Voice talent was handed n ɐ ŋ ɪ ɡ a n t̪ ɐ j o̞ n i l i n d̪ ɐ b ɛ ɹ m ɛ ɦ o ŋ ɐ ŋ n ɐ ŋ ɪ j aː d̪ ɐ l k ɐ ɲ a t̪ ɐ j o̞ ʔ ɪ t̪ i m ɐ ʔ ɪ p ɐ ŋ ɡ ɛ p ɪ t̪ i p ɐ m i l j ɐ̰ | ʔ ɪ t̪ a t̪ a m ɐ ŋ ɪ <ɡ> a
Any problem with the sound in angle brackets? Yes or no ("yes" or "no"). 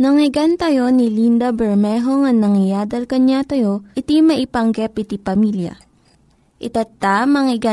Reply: no